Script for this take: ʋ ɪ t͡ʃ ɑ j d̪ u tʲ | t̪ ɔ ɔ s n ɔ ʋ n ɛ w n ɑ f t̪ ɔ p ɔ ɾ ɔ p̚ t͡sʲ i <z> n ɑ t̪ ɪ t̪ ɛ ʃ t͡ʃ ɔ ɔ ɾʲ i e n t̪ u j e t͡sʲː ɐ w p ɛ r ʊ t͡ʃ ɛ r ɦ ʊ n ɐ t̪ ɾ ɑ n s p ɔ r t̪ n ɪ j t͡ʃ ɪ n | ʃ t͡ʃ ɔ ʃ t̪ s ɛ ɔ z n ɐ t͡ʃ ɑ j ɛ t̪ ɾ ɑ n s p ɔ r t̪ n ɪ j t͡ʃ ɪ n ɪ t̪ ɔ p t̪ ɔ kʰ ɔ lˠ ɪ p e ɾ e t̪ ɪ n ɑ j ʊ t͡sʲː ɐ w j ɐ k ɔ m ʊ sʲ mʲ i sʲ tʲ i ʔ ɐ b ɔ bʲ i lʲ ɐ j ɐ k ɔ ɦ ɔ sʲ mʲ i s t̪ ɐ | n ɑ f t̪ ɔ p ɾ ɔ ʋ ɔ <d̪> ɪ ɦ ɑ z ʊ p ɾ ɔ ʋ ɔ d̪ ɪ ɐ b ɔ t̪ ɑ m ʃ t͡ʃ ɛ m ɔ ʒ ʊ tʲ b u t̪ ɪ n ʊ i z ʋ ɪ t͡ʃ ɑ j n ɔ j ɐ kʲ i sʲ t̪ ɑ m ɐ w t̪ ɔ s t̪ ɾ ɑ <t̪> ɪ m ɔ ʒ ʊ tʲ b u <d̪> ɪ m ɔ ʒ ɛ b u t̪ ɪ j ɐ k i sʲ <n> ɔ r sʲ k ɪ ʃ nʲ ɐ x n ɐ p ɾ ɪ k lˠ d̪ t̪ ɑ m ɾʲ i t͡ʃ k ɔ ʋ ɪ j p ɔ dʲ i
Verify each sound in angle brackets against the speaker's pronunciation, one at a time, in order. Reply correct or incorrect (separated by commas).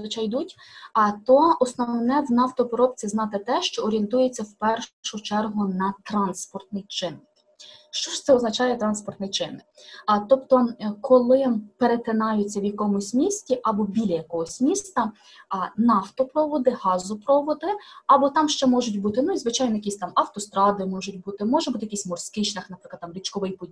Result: correct, correct, incorrect, incorrect, incorrect